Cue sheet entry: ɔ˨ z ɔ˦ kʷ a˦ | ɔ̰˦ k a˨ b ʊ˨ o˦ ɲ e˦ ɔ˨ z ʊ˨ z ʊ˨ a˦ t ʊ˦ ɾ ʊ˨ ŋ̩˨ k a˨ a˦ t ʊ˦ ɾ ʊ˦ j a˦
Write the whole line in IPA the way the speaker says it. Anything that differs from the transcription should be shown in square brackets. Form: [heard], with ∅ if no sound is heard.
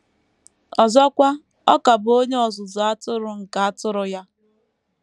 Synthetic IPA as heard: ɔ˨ z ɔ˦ kʷ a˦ | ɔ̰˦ k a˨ b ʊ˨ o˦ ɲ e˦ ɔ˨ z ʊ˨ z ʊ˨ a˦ t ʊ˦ ɾ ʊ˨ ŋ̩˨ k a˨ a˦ t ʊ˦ ɾ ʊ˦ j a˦